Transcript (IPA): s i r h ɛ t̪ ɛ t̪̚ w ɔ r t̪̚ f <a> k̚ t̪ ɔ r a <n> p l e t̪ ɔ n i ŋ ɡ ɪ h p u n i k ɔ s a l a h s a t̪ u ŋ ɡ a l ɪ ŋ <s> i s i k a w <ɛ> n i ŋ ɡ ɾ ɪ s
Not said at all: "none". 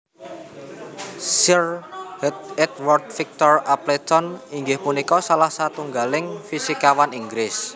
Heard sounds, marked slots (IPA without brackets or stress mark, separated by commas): i, none, f, a